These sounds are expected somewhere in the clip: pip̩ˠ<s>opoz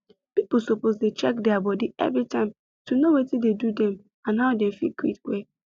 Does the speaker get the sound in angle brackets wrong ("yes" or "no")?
no